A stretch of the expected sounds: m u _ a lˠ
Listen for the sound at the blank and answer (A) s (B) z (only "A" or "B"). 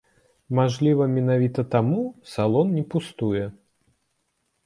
A